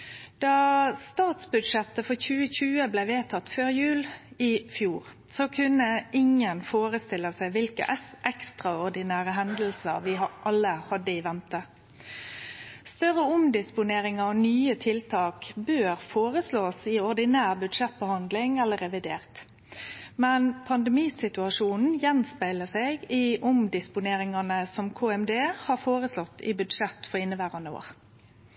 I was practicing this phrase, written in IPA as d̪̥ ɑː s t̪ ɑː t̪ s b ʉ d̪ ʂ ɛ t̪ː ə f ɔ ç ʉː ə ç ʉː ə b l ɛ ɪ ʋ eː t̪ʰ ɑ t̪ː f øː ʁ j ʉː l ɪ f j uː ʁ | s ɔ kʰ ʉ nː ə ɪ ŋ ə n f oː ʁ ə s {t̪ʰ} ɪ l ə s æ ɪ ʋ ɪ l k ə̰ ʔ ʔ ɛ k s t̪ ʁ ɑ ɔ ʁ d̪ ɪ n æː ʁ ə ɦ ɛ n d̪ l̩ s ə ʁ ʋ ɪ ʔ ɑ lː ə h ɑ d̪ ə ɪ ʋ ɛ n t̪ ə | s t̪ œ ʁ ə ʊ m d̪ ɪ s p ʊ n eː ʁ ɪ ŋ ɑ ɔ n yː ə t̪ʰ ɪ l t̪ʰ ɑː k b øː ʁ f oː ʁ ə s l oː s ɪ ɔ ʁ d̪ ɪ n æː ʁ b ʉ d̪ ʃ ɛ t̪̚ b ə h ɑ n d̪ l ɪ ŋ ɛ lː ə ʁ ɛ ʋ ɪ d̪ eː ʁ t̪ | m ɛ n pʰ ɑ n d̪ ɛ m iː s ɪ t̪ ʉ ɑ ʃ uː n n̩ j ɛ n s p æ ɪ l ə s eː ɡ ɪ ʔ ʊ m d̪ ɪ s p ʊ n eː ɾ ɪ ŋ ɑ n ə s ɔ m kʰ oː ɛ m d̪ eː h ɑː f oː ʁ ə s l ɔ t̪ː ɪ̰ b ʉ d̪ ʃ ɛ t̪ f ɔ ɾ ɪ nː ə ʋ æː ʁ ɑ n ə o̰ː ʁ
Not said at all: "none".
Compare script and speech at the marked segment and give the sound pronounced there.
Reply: t̪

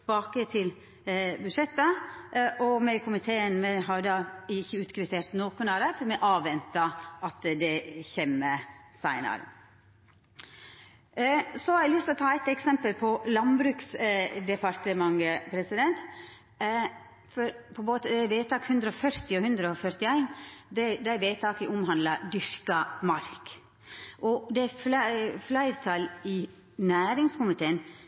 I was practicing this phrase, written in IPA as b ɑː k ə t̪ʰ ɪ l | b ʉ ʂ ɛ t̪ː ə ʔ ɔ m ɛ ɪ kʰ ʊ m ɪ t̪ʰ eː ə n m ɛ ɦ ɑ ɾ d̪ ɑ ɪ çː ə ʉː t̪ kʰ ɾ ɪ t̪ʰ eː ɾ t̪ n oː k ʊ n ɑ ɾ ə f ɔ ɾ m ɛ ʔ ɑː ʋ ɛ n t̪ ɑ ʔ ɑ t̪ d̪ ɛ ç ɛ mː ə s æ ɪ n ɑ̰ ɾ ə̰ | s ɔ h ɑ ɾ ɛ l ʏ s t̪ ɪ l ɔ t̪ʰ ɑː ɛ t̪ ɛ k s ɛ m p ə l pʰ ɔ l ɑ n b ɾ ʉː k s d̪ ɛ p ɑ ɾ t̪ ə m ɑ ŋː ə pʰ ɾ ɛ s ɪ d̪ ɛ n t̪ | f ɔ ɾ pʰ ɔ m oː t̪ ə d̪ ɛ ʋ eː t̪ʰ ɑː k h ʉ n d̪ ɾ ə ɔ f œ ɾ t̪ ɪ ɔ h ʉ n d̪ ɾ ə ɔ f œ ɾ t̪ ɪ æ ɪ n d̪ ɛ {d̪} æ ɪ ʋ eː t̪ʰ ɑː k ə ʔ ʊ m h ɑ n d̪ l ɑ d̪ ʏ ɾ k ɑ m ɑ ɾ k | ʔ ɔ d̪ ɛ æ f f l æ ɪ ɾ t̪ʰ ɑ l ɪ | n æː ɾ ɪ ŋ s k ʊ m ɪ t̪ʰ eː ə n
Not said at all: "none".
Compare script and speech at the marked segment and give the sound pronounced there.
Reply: d̪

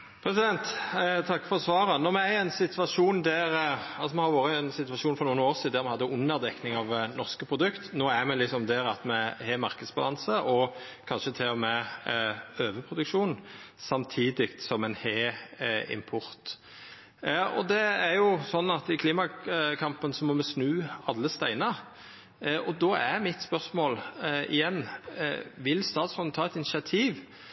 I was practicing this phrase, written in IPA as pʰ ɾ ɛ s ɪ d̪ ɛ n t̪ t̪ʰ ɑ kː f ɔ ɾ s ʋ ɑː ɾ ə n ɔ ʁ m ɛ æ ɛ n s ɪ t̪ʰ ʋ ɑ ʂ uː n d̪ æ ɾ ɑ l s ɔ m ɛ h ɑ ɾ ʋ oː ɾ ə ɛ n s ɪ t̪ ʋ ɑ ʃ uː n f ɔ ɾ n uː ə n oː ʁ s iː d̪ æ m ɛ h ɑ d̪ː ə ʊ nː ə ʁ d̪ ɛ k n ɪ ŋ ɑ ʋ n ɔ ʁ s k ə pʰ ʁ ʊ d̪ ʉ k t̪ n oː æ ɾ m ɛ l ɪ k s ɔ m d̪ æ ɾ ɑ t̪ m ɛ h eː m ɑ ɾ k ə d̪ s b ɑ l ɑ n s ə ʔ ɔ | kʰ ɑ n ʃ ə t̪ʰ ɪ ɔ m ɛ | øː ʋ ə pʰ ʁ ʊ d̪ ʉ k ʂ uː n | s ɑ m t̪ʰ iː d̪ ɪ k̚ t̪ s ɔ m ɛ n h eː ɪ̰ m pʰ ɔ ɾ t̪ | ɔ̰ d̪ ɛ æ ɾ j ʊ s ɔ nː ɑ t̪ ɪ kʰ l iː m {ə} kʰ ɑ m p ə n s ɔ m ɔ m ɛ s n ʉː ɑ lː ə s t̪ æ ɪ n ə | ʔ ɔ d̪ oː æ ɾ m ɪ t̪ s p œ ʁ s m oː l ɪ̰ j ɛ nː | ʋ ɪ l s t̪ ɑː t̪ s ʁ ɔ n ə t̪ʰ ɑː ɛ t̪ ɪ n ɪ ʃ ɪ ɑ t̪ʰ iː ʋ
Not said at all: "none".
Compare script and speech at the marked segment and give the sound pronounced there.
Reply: ɑ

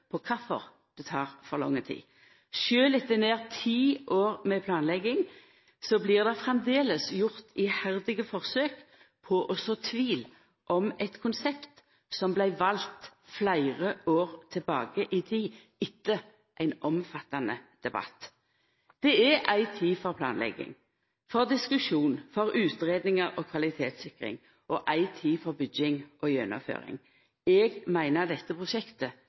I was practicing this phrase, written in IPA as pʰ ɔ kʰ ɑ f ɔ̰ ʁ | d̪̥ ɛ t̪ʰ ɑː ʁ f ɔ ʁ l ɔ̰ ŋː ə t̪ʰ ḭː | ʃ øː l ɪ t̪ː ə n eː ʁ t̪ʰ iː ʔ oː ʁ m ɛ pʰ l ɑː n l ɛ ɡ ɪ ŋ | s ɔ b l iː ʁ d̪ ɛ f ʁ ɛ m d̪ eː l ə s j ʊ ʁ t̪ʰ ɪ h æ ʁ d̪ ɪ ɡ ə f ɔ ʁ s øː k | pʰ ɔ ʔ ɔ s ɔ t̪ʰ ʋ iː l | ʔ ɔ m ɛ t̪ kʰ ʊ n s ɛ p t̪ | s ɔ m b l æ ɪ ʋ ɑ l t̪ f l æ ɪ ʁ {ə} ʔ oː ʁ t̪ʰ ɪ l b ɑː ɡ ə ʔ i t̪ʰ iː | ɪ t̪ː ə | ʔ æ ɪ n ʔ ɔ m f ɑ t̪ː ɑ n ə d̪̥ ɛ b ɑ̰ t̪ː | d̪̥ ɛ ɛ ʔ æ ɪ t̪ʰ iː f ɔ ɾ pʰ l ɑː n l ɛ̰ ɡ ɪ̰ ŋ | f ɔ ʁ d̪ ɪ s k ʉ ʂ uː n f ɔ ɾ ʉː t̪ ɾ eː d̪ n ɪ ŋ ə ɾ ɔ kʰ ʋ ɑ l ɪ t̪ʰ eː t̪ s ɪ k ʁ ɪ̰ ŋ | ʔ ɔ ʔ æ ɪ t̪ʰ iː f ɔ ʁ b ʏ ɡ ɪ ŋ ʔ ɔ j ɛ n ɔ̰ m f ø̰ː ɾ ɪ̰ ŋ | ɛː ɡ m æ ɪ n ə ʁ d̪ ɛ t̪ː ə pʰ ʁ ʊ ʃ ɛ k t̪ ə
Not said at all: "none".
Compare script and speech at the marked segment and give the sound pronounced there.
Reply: ə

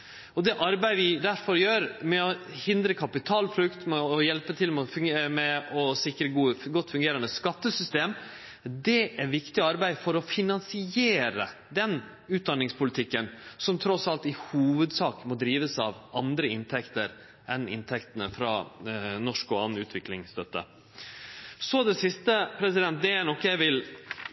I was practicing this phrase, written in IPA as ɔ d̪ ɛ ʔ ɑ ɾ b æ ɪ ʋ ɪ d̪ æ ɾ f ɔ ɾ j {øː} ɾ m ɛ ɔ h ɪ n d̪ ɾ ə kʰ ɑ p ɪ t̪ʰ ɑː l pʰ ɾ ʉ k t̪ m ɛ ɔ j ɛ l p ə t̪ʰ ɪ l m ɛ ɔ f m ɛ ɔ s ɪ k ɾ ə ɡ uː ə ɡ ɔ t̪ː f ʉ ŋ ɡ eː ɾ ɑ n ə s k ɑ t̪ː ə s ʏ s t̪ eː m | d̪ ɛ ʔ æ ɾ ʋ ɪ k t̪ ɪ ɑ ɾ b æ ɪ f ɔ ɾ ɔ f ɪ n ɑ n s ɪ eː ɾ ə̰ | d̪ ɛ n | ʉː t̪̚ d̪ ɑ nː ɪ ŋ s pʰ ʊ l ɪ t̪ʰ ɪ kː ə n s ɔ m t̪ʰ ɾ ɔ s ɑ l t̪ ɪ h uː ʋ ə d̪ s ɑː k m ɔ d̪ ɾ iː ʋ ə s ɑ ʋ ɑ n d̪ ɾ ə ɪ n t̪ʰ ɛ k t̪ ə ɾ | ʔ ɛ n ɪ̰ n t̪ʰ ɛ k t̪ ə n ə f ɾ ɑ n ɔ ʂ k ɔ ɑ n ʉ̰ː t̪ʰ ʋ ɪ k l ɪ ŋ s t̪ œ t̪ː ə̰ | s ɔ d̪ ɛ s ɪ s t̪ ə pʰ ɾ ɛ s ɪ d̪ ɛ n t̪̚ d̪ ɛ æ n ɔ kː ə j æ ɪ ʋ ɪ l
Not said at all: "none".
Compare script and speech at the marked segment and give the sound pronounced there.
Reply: øː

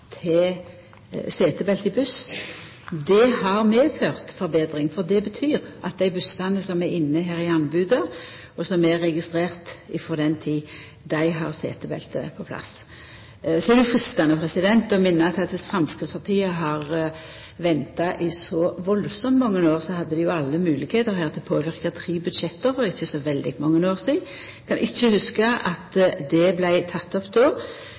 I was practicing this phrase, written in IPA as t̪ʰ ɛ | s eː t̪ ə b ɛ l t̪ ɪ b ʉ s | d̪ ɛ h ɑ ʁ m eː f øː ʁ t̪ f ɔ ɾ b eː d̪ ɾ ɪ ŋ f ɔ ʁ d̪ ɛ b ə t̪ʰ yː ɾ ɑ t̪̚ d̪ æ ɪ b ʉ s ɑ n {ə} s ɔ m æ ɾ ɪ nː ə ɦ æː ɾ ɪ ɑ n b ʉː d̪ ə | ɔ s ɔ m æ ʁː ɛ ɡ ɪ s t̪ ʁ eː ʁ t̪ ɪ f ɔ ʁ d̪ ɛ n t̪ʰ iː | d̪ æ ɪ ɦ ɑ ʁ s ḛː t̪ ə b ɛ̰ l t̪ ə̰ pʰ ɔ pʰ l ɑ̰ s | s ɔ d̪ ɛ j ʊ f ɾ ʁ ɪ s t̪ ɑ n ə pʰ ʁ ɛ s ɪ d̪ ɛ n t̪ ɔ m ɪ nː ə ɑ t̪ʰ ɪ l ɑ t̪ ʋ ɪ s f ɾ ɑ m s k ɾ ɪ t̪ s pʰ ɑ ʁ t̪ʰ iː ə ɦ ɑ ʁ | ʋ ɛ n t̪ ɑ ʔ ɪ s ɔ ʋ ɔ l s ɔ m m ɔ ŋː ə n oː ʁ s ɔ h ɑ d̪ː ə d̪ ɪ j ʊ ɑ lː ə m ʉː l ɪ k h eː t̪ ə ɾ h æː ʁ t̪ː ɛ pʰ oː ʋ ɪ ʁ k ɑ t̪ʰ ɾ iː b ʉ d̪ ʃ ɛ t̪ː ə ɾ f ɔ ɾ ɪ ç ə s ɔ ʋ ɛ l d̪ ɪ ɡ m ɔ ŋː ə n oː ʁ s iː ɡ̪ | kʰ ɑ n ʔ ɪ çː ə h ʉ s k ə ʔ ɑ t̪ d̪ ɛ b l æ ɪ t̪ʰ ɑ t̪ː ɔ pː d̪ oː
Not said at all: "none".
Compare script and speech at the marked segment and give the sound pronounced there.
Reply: ə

